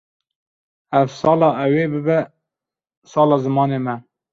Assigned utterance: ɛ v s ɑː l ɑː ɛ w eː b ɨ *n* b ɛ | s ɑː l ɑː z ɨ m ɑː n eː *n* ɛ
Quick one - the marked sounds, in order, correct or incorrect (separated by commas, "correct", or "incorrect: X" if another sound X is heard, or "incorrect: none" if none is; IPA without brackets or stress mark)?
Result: incorrect: none, incorrect: m